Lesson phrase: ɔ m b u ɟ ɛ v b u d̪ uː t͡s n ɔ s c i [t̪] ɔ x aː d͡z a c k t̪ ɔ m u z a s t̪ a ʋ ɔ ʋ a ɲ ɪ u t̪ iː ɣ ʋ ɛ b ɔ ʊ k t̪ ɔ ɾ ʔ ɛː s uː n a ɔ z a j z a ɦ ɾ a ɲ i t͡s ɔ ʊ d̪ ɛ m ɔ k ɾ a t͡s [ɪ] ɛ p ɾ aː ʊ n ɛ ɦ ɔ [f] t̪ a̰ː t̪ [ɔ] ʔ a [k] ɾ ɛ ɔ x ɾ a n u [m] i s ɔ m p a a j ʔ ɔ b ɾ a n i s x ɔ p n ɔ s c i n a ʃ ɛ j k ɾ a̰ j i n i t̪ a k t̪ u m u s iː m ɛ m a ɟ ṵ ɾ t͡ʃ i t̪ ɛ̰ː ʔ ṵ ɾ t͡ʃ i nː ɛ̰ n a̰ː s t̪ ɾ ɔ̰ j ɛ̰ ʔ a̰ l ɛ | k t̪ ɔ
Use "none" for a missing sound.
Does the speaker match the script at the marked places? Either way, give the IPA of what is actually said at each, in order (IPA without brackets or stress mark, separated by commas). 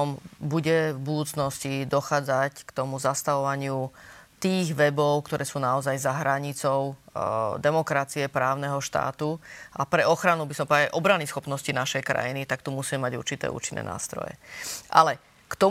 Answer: d̪, i, ʃ, u, p, b